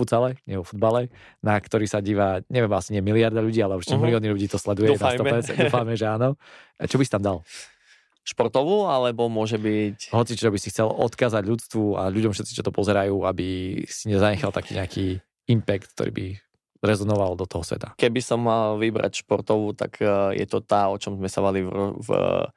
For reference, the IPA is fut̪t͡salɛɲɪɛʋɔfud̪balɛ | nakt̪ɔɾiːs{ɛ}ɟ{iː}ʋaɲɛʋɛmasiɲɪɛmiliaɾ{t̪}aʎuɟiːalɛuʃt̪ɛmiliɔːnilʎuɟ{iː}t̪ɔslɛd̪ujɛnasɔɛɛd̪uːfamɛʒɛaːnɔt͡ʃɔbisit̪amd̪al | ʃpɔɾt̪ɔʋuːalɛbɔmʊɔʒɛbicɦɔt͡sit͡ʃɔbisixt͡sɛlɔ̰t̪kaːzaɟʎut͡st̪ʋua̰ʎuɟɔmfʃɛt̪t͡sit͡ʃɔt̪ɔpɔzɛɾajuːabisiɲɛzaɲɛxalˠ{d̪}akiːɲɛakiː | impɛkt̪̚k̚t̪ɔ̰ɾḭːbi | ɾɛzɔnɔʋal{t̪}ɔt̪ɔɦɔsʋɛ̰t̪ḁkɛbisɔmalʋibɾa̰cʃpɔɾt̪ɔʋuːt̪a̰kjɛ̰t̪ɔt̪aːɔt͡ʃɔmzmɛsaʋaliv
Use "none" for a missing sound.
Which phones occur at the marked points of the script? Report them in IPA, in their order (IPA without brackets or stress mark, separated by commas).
a, iː, d̪, iː, t̪, d̪